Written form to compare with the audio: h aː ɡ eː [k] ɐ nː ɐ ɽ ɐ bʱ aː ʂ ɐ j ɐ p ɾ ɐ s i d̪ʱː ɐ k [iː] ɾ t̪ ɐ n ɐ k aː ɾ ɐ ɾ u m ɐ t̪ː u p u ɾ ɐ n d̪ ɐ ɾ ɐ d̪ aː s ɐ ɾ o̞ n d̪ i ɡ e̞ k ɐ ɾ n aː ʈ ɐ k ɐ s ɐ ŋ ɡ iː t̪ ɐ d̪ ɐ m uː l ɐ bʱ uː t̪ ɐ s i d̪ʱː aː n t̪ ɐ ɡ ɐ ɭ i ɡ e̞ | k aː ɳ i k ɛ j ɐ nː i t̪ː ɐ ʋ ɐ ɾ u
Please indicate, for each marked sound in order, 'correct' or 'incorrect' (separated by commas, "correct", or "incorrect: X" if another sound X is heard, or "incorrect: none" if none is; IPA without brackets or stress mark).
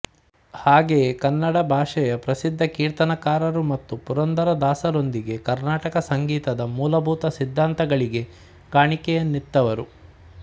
correct, correct